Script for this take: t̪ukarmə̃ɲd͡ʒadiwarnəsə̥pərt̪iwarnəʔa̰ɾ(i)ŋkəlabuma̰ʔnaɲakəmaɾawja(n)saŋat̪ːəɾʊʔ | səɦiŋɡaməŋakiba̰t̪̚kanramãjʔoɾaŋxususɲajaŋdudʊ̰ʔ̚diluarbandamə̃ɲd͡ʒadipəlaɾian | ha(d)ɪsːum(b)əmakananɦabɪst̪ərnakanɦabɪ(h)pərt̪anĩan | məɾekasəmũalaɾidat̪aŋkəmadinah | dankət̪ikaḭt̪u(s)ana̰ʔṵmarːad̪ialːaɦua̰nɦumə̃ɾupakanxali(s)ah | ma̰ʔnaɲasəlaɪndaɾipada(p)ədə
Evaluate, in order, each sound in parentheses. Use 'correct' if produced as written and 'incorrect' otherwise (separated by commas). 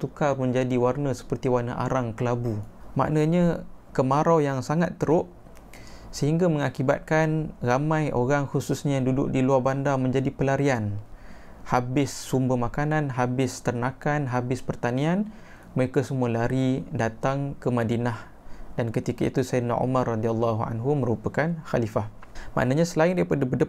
incorrect, incorrect, incorrect, correct, incorrect, correct, incorrect, incorrect